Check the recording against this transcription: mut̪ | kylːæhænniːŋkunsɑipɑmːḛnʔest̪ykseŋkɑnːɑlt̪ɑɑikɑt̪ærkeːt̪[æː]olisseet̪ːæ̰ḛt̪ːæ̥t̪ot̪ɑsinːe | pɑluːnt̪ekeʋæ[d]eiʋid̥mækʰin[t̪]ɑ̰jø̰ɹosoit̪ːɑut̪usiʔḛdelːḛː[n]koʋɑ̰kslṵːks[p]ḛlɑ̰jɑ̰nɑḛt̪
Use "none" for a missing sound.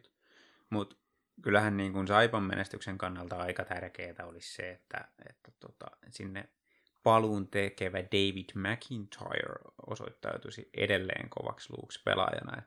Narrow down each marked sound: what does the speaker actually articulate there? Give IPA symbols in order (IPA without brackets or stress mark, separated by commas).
æ, d, t̪ʰ, ŋ, p